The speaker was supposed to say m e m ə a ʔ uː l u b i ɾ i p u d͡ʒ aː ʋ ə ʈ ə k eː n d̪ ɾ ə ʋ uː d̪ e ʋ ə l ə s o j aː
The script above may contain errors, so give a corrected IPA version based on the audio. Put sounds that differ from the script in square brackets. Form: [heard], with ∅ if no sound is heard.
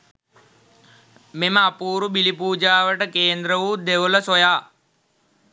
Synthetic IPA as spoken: m e m ə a [p] uː [ɾ] u b i [l] i p [uː] d͡ʒ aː ʋ ə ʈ ə k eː n d̪ ɾ ə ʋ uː d̪ e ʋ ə l ə s o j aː